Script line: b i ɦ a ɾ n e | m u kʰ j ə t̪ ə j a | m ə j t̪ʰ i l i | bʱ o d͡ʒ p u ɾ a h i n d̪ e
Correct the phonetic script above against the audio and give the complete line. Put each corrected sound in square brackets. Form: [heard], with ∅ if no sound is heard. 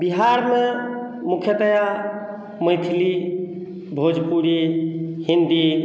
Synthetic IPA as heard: b i ɦ a ɾ [m] e | m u kʰ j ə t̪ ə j a | m ə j t̪ʰ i l i | bʱ o d͡ʒ p u ɾ [i] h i n d̪ [i]